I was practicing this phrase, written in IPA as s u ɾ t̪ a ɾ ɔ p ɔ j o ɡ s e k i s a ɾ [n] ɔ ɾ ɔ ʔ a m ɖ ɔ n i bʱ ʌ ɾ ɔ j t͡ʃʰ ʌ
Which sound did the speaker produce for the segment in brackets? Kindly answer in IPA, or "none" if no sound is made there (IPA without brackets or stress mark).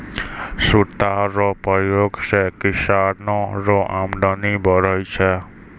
n